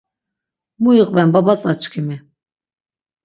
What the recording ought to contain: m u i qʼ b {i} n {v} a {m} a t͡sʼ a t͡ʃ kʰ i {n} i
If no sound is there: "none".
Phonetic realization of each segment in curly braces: ɛ, b, b, m

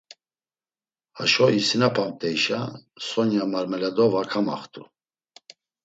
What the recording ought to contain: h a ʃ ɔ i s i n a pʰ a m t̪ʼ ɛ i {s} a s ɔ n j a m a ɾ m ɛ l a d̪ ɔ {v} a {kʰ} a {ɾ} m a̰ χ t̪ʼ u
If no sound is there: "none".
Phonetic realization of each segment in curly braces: ʃ, v, kʰ, none

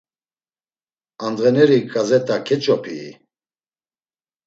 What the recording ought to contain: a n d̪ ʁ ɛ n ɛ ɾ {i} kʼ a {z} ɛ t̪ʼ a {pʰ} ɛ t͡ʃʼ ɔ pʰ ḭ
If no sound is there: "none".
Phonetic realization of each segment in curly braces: i, z, kʰ

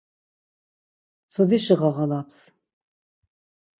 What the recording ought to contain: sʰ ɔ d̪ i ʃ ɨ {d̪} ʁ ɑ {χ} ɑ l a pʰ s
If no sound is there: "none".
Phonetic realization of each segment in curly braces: none, ʁ

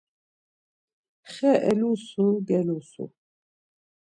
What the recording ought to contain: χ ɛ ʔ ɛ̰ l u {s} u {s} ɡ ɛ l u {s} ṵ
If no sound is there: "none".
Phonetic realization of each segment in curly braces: s, none, s

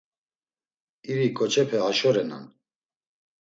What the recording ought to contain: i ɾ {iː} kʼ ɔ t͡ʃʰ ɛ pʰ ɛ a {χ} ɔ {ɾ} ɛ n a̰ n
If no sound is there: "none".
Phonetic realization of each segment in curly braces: i, ʃ, ɾ

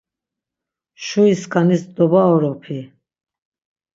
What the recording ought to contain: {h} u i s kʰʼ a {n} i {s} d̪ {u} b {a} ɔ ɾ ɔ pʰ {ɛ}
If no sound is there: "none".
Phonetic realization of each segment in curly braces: ʃ, n, s, ɔ, a, i

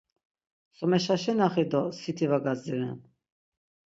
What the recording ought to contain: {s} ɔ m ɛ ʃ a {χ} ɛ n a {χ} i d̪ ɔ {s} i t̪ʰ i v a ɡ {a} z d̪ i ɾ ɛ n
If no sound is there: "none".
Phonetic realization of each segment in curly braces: s, ʃ, χ, s, a

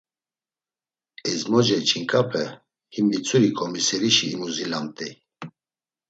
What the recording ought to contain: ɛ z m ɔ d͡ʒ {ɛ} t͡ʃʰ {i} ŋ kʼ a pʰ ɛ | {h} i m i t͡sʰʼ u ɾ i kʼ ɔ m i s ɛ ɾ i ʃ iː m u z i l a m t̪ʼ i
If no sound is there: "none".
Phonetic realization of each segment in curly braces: ɛ, i, h

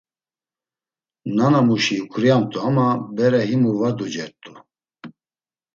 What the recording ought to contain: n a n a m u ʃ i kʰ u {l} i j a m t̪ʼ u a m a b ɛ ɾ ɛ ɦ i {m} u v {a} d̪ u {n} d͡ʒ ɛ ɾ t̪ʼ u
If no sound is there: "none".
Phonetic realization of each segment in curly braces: ɾ, m, a, none

